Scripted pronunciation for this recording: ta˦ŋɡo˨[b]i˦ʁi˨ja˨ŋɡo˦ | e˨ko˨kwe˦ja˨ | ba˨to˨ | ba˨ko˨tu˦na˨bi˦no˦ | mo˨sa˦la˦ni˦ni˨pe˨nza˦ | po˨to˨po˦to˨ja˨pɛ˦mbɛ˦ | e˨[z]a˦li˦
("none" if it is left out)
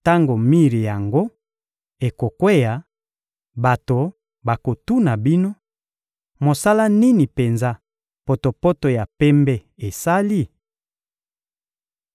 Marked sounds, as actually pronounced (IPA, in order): m, s

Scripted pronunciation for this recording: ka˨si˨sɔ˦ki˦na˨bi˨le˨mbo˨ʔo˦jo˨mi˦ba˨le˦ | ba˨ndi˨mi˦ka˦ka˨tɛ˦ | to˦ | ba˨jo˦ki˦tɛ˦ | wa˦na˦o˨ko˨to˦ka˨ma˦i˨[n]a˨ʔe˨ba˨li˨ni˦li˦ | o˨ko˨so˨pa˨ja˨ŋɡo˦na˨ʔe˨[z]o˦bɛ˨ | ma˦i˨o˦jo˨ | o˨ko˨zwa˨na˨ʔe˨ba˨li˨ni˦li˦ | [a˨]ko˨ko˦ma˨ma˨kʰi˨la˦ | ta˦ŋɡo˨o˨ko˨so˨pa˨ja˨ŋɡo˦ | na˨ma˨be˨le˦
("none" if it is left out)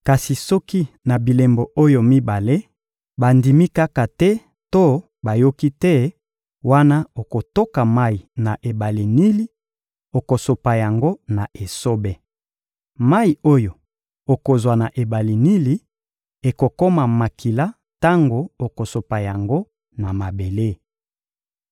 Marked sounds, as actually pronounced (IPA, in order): n, s, e˨

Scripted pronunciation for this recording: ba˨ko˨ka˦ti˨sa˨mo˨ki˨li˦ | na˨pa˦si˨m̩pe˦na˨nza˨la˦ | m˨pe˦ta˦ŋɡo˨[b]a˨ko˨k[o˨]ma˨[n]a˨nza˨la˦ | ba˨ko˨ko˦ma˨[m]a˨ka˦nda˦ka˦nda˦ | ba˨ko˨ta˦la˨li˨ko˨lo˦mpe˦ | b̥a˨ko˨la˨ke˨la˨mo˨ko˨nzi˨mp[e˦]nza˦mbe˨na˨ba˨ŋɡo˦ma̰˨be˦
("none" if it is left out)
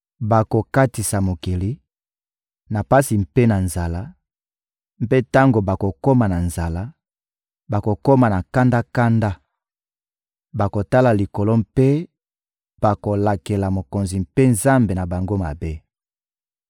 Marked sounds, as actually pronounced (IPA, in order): b, o˦, n, n, e˦

